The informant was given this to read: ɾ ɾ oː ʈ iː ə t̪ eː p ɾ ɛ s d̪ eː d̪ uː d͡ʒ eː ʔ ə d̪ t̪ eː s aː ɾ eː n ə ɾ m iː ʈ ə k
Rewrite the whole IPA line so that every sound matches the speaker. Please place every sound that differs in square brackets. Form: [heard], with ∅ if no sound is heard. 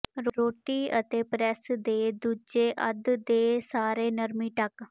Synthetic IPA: ɾ ɾ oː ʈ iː ə t̪ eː p ɾ ɛ s d̪ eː d̪ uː d͡ʒ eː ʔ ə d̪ [d̪] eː s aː ɾ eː n ə ɾ m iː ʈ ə k